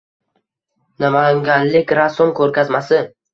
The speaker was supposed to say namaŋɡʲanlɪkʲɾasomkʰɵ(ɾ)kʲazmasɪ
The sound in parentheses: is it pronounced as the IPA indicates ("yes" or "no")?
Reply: yes